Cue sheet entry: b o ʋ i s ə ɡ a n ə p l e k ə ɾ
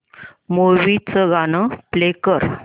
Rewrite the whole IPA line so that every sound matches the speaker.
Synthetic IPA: m o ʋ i t͡s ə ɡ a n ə p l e k ə ɾ

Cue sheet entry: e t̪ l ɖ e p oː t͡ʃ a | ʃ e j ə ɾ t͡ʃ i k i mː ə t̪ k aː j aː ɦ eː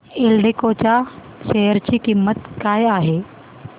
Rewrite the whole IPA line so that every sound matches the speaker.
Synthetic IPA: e l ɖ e k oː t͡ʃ a | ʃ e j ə ɾ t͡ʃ i k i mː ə t̪ k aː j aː ɦ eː

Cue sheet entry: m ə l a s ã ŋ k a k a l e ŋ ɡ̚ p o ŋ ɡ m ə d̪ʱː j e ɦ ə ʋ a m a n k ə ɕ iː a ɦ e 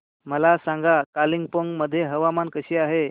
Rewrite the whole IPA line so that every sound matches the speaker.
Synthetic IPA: m ə l a s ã ŋ ɡ a k a l i ŋ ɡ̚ p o ŋ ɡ m ə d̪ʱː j e ɦ ə ʋ a m a n k ə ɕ iː a ɦ e

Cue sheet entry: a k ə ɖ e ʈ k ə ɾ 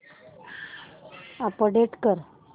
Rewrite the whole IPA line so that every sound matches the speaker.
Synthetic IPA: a p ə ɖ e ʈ k ə ɾ

